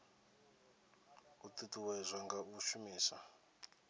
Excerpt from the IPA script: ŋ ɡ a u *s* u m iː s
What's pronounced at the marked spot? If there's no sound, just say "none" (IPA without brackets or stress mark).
ʃ